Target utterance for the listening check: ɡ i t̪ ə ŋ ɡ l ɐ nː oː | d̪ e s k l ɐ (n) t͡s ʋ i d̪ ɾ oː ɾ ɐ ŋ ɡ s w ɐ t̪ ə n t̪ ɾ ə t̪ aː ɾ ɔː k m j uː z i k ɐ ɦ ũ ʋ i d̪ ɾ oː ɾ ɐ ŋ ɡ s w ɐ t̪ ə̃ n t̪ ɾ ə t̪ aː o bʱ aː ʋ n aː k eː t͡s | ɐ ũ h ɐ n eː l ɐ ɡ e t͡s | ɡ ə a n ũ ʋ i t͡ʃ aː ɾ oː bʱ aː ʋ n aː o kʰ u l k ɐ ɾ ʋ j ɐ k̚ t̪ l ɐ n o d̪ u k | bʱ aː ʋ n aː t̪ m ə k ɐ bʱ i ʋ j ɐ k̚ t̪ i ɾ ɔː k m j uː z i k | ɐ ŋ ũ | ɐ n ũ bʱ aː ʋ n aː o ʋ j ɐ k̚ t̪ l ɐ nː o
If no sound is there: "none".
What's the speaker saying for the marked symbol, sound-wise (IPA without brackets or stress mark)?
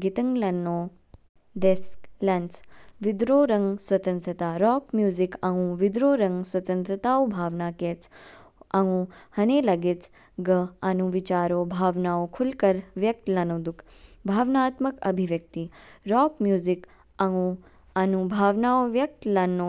n